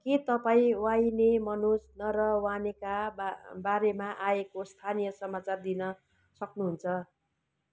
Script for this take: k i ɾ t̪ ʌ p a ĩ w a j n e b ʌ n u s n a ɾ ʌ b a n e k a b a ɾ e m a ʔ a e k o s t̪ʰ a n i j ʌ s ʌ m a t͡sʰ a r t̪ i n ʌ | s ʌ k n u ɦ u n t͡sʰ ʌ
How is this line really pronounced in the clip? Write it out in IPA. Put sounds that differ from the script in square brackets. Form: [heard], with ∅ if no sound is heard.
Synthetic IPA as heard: k i [∅] t̪ ʌ p a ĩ w a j n e [m] ʌ n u s n [ʌ] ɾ ʌ [w] a n e k a b a ɾ e m a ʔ a e k o s t̪ʰ a n i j ʌ s ʌ m a [t͡s] a r [d̪] i n ʌ | s ʌ k n u ɦ u n t͡sʰ ʌ